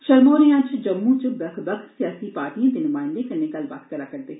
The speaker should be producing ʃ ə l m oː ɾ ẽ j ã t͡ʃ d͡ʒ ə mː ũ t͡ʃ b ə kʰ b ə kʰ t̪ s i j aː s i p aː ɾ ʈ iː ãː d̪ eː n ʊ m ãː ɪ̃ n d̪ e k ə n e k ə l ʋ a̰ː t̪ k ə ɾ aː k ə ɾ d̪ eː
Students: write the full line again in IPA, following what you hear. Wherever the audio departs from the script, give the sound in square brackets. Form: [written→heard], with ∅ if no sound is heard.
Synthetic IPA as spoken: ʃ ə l m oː ɾ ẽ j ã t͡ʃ d͡ʒ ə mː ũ t͡ʃ b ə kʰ b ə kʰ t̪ s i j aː s i p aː ɾ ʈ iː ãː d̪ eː n ʊ m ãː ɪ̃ n d̪ e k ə n e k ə l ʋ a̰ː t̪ k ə ɾ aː k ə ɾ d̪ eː